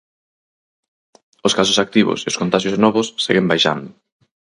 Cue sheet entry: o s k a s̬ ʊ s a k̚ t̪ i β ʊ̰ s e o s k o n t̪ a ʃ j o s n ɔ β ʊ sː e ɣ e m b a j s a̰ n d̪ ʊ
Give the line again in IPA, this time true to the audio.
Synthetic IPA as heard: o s k a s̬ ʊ s a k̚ t̪ i β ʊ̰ s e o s k o n t̪ a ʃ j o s n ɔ β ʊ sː e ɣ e m b a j ʃ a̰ n d̪ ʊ